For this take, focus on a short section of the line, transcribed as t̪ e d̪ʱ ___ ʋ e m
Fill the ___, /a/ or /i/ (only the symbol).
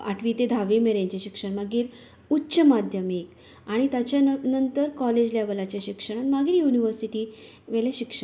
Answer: a